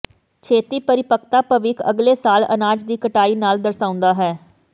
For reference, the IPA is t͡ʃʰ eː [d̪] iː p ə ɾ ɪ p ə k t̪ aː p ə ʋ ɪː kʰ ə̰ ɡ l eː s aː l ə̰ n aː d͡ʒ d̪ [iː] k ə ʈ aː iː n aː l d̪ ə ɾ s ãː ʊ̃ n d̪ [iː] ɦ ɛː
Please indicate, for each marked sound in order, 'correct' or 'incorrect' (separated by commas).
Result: incorrect, correct, incorrect